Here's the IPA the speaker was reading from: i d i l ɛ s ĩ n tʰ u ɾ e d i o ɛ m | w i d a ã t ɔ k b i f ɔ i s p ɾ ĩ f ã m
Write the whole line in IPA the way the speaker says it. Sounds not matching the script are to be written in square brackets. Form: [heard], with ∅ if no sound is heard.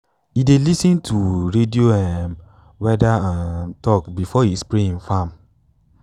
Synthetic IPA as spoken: i d [e] l [i] s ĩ n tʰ u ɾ e d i o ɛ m | w [ɛ] d a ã t ɔ k b i f ɔ i s p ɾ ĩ f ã m